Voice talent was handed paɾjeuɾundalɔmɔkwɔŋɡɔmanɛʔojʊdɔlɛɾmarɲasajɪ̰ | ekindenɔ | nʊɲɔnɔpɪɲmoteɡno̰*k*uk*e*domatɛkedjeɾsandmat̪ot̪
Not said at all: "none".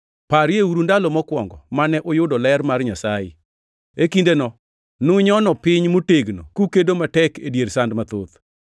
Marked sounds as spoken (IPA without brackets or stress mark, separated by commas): k, e